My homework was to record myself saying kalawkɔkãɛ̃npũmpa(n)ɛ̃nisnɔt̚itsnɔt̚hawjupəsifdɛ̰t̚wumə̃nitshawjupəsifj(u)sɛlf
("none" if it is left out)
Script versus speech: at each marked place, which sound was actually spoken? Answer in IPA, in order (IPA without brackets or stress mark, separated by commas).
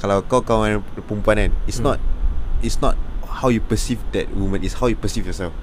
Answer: n, ɔ